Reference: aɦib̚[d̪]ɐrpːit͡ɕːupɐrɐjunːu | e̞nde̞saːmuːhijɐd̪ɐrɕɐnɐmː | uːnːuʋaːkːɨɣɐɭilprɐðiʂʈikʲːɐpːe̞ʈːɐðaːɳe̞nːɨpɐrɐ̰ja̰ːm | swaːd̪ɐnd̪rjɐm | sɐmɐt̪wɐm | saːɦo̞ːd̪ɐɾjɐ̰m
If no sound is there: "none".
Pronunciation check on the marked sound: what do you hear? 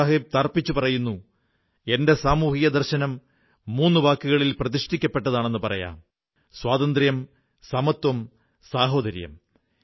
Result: t̪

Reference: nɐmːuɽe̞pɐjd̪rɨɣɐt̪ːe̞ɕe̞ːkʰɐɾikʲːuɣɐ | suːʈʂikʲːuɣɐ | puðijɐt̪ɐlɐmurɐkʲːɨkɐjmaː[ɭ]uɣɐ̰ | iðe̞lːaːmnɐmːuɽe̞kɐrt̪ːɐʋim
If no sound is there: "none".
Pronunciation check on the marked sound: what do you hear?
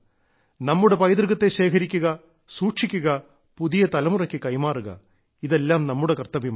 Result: r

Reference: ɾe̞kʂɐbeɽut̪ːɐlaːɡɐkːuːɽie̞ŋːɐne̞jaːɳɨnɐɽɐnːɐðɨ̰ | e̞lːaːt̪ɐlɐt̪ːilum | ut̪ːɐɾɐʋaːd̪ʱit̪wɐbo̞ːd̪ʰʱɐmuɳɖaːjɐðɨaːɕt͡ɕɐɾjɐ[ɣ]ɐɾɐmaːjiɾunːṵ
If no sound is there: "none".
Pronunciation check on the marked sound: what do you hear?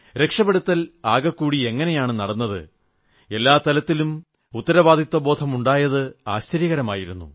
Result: ɣ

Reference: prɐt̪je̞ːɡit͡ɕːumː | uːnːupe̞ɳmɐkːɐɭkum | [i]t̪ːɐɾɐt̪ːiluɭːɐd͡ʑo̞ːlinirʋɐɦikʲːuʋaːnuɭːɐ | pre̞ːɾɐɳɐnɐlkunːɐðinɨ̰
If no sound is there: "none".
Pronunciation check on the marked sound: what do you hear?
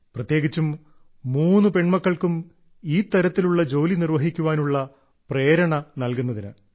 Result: iː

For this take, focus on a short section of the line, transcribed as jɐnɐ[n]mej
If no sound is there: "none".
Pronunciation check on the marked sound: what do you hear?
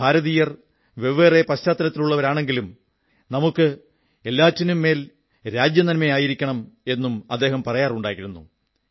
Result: n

